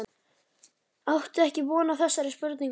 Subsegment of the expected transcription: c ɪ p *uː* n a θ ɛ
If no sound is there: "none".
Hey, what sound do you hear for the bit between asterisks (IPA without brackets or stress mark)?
ɔː